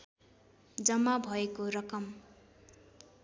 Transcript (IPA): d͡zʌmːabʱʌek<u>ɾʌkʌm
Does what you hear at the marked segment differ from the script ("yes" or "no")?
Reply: yes